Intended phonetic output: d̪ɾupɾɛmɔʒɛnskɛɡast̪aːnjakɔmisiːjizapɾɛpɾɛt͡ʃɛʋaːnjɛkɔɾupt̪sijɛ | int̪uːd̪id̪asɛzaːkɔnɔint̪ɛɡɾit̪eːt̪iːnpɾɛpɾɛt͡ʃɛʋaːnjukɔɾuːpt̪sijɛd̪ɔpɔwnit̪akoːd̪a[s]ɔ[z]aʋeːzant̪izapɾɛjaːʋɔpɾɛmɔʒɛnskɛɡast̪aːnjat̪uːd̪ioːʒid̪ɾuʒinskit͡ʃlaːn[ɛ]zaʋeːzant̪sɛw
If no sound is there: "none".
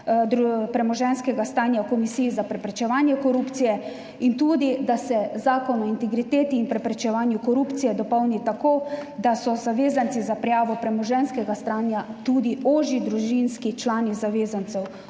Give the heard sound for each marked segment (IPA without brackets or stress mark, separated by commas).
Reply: s, z, i